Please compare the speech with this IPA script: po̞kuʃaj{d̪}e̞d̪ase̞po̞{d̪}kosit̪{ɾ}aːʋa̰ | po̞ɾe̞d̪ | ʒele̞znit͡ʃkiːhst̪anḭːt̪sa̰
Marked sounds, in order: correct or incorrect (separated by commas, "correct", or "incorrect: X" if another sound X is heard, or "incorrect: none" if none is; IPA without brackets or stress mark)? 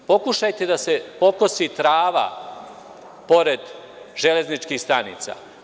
incorrect: t̪, incorrect: none, correct